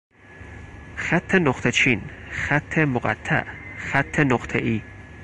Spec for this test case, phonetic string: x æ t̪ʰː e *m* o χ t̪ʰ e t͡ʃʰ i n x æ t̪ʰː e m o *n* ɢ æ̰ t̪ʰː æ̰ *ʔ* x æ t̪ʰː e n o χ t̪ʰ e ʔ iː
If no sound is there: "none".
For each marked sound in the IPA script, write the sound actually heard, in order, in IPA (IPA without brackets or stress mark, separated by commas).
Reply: n, none, ʔ